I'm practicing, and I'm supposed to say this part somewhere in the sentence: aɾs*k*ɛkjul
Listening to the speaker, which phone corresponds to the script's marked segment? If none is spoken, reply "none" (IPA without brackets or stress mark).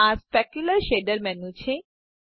p